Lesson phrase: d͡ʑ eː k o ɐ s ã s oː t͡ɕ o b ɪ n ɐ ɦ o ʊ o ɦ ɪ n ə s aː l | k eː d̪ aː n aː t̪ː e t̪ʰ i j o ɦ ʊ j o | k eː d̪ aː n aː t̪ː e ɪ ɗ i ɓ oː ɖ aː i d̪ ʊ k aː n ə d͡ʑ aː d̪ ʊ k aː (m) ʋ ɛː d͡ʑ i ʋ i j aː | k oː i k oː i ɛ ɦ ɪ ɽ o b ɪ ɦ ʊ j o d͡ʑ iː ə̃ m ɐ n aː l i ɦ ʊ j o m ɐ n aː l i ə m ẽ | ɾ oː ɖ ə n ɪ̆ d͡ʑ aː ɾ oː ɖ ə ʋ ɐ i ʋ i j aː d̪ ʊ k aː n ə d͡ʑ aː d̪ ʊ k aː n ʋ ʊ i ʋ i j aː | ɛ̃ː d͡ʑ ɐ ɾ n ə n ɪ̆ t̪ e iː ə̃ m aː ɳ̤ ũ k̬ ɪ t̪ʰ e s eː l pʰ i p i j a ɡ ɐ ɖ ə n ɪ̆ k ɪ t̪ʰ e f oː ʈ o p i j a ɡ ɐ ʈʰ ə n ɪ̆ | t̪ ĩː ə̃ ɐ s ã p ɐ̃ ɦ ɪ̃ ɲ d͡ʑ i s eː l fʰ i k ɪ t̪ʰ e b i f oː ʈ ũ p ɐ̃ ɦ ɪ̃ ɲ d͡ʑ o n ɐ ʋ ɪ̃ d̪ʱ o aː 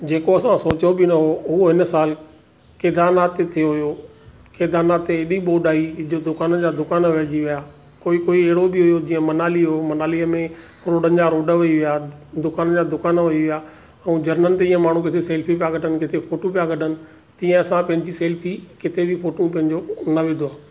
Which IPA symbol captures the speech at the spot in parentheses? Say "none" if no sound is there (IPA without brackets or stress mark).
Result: n